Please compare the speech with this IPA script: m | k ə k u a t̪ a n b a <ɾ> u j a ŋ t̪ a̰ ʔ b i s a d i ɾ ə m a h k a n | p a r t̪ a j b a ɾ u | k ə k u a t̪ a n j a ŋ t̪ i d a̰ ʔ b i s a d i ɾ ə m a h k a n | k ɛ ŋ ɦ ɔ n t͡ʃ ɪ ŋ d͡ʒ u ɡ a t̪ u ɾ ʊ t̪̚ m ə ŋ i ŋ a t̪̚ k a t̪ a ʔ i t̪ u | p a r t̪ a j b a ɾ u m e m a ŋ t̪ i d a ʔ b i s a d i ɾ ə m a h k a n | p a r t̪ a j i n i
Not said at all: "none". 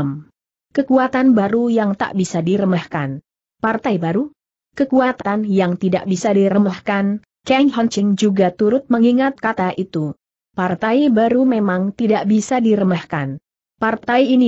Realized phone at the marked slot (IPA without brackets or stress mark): ɾ